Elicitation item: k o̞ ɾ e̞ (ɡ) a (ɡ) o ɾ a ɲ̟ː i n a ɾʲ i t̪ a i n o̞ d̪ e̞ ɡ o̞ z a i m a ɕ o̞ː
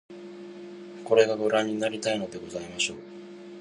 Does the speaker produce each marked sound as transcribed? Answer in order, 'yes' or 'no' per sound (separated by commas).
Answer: yes, yes